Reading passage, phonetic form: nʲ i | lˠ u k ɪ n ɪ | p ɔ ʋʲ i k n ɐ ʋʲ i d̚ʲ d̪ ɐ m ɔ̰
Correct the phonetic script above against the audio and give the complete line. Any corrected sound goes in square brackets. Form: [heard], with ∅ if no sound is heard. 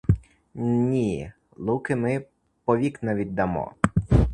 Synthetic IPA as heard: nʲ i | lˠ u k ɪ [m] ɪ | p ɔ ʋʲ i k n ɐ ʋʲ i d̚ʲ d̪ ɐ m ɔ̰

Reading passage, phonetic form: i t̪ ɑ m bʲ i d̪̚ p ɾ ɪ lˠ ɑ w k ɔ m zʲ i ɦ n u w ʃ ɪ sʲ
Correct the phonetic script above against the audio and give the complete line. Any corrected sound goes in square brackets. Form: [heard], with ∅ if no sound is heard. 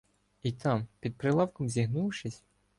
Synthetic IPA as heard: i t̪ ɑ m [pʲ] i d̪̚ p ɾ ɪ lˠ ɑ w k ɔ m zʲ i ɦ n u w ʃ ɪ sʲ

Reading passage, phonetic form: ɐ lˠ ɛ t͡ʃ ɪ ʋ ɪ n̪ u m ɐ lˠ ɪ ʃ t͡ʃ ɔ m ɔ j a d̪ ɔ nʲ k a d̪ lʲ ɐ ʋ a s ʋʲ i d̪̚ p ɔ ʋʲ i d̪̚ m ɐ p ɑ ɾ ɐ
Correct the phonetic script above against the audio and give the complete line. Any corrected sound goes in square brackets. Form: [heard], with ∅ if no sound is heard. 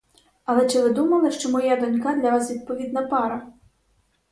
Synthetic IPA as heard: ɐ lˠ ɛ t͡ʃ ɪ ʋ ɪ [d̪] u m ɐ lˠ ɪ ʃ t͡ʃ ɔ m ɔ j a d̪ ɔ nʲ k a d̪ lʲ ɐ ʋ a s ʋʲ i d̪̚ p ɔ ʋʲ i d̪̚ [n] ɐ p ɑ ɾ ɐ

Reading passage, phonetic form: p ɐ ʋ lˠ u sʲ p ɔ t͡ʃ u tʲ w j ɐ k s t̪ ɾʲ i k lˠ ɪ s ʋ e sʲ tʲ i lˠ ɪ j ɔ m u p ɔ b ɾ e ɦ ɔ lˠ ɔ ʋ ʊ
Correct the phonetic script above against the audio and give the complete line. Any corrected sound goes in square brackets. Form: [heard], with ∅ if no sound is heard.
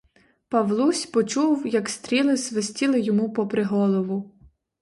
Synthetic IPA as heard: p ɐ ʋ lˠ u sʲ p ɔ t͡ʃ u [∅] w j ɐ k s t̪ ɾʲ i [∅] lˠ ɪ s ʋ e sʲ tʲ i lˠ ɪ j ɔ m u p ɔ [p] ɾ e ɦ ɔ lˠ ɔ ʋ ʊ

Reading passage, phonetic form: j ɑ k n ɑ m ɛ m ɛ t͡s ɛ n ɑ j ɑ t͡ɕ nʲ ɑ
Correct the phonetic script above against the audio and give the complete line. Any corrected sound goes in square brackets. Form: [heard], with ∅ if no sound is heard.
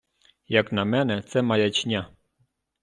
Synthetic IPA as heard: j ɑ k n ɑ m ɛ [n] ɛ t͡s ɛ [m] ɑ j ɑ t͡ɕ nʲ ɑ

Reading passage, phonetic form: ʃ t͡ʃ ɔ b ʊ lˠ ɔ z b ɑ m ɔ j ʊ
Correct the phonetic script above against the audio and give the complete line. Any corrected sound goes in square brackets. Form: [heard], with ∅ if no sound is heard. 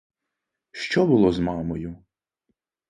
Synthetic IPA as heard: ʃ t͡ʃ ɔ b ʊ lˠ ɔ z [m] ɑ m ɔ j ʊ

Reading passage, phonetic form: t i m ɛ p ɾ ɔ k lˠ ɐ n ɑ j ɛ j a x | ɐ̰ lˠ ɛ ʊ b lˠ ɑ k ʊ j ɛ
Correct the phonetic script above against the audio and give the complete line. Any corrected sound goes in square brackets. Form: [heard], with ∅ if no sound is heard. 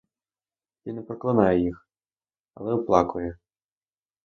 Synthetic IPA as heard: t i [n] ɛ p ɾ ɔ k lˠ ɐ n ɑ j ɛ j [i] x | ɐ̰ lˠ ɛ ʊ [p] lˠ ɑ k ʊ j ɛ

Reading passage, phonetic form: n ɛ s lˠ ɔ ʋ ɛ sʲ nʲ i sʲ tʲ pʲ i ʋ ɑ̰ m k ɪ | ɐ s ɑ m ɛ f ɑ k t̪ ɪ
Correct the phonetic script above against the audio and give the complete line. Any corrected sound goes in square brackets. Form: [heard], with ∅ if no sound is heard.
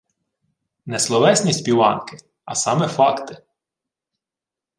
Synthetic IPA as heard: n ɛ s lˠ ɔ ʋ ɛ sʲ nʲ i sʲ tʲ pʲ i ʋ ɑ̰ [n] k ɪ | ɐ s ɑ m ɛ f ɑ k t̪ ɪ

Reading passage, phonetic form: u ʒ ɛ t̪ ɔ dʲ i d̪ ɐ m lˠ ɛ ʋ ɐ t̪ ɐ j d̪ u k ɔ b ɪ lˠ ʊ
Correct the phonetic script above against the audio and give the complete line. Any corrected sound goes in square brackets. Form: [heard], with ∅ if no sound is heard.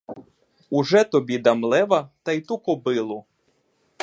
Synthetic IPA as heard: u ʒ ɛ t̪ ɔ [bʲ] i d̪ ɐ m lˠ ɛ ʋ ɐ t̪ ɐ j [t̪] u k ɔ b ɪ lˠ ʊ

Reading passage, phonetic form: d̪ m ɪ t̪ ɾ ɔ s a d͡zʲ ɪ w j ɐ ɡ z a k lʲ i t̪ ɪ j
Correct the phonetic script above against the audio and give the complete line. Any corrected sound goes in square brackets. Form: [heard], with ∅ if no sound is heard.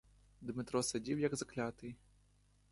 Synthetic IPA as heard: d̪ m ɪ t̪ ɾ ɔ s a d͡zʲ [i] w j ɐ ɡ z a k lʲ [a] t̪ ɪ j

